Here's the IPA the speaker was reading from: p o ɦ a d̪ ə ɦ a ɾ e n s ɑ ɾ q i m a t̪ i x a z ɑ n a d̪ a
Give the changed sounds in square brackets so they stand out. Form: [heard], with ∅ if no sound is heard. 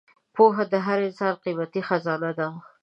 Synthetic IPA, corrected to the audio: p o ɦ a d̪ ə ɦ a ɾ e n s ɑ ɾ q i m a t̪ i x a z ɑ n a d̪ a